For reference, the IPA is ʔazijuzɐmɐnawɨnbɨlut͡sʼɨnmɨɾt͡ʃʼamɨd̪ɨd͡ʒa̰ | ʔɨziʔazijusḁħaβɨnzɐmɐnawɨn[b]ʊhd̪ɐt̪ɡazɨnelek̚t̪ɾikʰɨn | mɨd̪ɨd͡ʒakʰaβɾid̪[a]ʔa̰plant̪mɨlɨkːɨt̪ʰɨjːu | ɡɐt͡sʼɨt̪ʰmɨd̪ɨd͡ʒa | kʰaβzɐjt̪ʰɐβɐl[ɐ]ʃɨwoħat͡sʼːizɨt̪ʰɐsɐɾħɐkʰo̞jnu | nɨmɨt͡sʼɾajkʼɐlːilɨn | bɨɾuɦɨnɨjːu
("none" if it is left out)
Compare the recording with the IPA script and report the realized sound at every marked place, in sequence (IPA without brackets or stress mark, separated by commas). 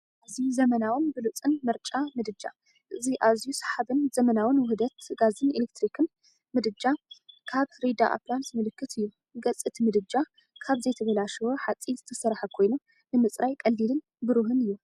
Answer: w, a, a